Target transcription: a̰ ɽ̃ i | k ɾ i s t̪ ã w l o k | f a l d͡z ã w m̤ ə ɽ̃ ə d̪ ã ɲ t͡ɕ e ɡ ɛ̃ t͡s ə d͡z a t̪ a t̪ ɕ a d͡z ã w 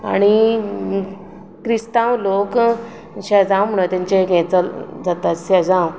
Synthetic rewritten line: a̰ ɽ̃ i | k ɾ i s t̪ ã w l o k | ɕ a d͡z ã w m̤ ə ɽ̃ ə t̪ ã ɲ t͡ɕ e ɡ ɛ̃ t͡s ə d͡z a t̪ a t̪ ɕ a d͡z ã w